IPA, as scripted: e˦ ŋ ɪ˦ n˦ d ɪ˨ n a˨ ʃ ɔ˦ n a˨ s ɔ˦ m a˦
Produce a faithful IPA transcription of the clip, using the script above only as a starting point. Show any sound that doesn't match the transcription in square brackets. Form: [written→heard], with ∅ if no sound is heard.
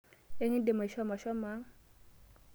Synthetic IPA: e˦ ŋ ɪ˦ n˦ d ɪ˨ [n→m] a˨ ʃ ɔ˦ [n→m] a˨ [s→ʃ] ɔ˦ m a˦